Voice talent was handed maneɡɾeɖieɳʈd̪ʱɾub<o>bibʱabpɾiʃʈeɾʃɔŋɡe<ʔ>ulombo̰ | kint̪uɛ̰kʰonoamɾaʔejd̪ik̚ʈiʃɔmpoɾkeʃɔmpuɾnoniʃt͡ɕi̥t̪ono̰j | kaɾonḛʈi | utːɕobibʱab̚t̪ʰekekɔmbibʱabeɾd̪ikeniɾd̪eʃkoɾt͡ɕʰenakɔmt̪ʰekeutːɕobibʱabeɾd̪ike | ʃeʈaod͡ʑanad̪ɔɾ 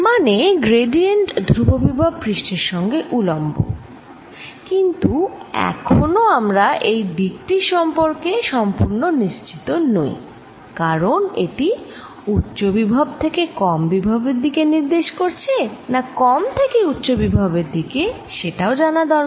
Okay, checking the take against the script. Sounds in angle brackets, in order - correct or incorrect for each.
correct, correct

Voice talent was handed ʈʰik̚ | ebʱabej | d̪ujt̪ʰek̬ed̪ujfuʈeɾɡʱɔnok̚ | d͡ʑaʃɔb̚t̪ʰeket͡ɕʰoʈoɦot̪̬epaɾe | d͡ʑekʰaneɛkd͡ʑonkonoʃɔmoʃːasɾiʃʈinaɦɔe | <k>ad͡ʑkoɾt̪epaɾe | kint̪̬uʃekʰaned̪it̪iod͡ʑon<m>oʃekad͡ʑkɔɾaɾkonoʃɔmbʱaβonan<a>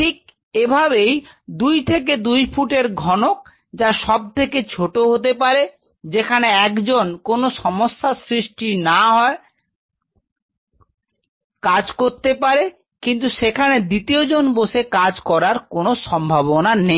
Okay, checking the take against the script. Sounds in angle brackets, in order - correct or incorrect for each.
correct, incorrect, incorrect

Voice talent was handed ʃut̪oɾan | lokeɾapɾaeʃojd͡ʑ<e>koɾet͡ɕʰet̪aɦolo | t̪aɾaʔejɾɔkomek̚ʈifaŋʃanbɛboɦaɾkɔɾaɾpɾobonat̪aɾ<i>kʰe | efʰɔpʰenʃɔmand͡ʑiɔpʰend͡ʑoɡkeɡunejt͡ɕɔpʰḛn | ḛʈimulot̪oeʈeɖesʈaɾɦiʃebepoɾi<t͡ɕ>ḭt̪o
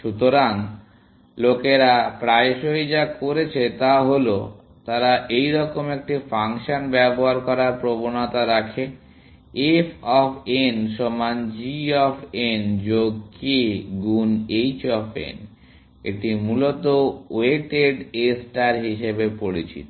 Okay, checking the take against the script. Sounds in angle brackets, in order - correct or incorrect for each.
incorrect, incorrect, correct

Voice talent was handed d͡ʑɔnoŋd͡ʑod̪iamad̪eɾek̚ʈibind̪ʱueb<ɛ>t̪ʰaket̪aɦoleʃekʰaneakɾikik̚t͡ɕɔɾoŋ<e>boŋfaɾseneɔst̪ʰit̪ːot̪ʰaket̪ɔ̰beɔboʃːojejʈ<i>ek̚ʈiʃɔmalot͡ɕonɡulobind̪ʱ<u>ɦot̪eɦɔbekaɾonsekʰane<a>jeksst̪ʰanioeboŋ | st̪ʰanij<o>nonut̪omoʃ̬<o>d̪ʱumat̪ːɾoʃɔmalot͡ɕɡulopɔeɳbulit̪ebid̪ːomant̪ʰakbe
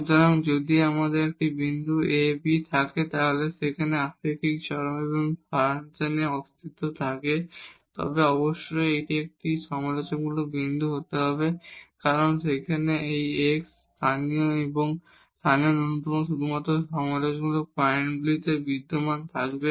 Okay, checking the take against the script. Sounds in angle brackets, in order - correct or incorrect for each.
incorrect, correct, correct, correct, incorrect, correct, incorrect

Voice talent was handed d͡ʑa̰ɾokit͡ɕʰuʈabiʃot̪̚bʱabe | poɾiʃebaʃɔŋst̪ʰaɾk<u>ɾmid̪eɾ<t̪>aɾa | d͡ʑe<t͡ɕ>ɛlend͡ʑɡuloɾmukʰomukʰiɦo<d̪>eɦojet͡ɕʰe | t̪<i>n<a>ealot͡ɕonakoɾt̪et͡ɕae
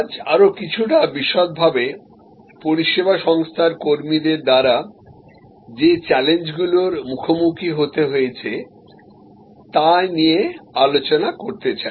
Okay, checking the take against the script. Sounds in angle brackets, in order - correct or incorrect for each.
incorrect, incorrect, correct, incorrect, incorrect, incorrect

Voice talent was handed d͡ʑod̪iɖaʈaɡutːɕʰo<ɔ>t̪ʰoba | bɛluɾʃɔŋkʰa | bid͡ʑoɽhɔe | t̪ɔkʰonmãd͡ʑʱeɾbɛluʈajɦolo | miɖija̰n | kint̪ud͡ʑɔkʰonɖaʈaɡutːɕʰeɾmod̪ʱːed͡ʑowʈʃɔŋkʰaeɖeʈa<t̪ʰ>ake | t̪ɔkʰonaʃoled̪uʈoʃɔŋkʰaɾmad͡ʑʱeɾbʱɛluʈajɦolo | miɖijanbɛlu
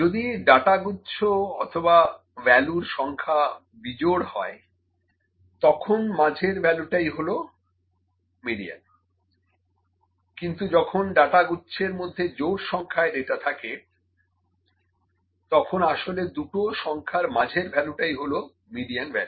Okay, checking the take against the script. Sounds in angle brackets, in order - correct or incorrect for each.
correct, correct

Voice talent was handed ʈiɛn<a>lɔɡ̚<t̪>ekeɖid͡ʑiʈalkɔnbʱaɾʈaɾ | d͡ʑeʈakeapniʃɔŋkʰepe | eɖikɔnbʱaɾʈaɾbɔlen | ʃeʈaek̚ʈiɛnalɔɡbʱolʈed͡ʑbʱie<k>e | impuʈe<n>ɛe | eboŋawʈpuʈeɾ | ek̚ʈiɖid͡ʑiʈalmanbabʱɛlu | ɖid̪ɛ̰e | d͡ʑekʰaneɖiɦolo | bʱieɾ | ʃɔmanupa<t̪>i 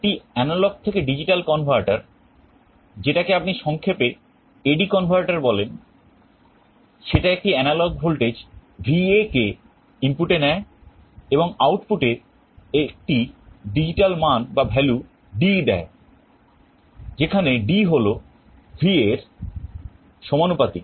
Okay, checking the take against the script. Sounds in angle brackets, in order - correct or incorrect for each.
correct, incorrect, correct, correct, correct

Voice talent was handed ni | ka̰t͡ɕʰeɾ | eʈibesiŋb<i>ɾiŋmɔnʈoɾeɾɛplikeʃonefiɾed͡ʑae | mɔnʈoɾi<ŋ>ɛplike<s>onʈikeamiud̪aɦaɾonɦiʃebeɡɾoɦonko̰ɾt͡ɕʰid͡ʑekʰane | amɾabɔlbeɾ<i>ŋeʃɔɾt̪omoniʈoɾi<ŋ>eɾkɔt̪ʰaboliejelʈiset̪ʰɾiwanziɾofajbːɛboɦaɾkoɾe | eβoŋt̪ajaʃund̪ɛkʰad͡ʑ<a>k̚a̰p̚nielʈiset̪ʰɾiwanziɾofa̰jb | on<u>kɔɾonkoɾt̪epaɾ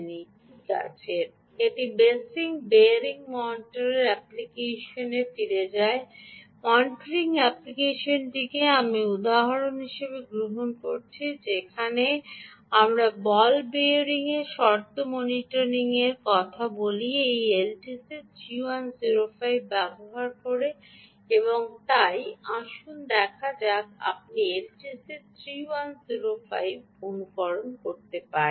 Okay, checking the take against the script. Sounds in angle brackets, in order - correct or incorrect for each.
incorrect, correct, incorrect, correct, correct, correct, correct

